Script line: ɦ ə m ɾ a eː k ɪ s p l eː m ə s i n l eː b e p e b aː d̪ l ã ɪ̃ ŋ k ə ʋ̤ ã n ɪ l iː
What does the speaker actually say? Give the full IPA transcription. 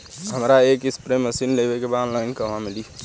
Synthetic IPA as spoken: ɦ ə m ɾ a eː k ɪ s p ɾ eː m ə s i n l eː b e k e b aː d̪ l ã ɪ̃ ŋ k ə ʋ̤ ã m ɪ l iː

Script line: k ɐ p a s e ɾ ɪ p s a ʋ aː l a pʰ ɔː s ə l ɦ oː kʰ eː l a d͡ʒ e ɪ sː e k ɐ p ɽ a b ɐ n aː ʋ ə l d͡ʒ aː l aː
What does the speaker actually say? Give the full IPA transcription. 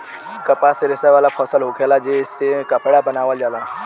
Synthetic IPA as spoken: k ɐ p a s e ɾ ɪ s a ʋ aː l a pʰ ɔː s ə l ɦ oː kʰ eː l a d͡ʒ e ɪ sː e k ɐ p ɽ a b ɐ n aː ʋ ə l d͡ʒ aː l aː

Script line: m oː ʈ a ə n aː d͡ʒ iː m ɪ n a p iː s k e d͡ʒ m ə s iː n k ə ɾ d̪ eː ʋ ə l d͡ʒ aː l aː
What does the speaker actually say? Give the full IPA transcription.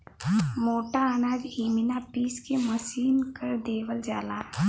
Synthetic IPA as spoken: m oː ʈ a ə n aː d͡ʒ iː m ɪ n a p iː s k e m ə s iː n k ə ɾ d̪ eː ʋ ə l d͡ʒ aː l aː

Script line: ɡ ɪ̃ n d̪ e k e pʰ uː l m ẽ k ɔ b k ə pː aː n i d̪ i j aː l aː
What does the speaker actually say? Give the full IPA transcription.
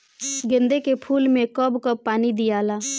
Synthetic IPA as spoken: ɡ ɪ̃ n d̪ e k e pʰ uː l m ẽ k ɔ b k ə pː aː n i d̪ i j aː l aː

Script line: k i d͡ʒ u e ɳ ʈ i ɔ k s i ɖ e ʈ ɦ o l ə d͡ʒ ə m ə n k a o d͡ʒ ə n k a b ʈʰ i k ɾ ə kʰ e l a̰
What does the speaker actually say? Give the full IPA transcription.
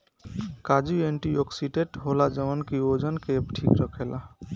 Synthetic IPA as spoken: k a d͡ʒ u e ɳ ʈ i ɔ k s i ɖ e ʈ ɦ o l a d͡ʒ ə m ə n k i o d͡ʒ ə n k e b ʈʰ i k ɾ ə kʰ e l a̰

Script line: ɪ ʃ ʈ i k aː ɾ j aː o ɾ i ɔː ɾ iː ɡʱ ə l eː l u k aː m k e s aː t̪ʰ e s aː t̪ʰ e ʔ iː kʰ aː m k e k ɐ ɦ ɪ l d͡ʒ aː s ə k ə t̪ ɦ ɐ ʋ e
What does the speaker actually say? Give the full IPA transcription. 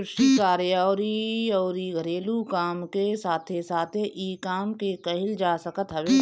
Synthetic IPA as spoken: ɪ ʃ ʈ i k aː ɾ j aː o ɾ i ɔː ɾ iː ɡʱ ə ɾ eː l u k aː m k e s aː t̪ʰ e s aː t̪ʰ e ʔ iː k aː m k e k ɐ ɦ ɪ l d͡ʒ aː s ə k ə t̪ ɦ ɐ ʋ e

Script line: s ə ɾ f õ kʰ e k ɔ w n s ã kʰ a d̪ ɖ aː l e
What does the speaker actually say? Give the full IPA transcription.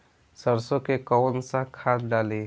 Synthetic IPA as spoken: s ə ɾ s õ k e k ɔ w n s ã kʰ a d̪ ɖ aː l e

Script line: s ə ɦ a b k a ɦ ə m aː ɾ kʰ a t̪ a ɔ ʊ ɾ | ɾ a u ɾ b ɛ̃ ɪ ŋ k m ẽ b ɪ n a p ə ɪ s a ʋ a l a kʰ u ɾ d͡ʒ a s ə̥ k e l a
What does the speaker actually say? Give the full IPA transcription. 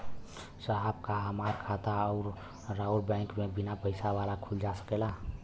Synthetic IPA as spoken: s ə ɦ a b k a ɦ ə m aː ɾ kʰ a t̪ a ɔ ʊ ɾ | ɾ a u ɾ b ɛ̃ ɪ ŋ k m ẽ b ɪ n a p ə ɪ s a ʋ a l a kʰ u l d͡ʒ a s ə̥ k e l a

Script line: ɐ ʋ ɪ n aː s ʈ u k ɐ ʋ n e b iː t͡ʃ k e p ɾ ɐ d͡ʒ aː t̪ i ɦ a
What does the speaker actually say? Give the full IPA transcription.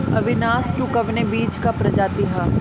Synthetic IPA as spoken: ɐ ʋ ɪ n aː s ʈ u k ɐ ʋ n e b iː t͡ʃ k a p ɾ ɐ d͡ʒ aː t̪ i ɦ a

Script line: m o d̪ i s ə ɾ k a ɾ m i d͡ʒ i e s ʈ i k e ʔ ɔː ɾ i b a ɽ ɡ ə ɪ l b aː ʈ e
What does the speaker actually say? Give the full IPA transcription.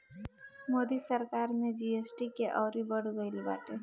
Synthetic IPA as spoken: m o d̪ i s ə ɾ k a ɾ m e d͡ʒ i e s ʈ i k e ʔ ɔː ɾ i b ə ɽ ɡ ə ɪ l b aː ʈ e

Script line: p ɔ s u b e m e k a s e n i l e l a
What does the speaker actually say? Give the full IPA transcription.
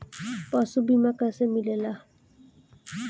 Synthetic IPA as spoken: p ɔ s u b i m a k a s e m i l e l a

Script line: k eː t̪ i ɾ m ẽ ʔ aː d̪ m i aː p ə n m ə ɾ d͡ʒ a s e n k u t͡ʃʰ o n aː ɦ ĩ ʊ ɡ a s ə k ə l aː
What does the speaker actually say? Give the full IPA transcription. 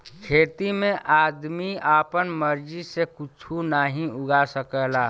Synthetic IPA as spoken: kʰ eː t̪ i m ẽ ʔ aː d̪ m i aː p ə n m ə ɾ d͡ʒ i s e k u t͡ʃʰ u n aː ɦ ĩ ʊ ɡ a s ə k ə l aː

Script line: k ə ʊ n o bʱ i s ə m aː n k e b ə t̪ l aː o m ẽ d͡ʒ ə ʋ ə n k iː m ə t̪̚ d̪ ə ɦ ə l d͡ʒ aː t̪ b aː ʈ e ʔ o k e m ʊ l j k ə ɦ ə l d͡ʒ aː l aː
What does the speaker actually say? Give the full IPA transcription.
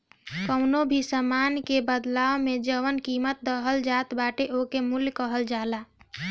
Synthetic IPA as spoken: k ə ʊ n o bʱ i s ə m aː n k e b ə d̪ l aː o m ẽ d͡ʒ ə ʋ ə n k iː m ə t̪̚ d̪ ə ɦ ə l d͡ʒ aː t̪ b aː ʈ e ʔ o k e m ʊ l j k ə ɦ ə l d͡ʒ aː l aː

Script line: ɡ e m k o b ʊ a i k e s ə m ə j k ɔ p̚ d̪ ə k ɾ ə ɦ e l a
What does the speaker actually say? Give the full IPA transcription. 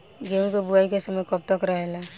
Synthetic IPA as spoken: ɡ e m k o b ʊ a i k e s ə m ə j k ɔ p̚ t̪ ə k ɾ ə ɦ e l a

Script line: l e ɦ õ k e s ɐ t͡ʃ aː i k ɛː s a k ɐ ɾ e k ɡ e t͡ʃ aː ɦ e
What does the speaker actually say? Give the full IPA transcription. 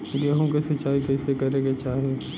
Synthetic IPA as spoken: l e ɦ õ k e s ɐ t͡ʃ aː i k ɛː s e k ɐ ɾ e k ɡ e t͡ʃ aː ɦ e

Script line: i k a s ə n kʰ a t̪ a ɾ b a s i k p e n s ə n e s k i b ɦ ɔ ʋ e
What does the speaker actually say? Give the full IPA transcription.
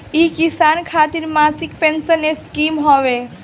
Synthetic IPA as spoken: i k i s a n kʰ a t̪ i ɾ m a s i k p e n s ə n e s k i m ɦ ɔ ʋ e

